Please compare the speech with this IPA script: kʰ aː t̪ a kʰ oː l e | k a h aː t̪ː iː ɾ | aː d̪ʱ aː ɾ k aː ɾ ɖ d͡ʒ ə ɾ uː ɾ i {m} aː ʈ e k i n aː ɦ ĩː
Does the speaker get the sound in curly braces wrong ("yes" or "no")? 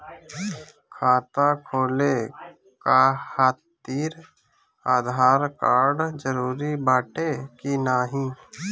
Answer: yes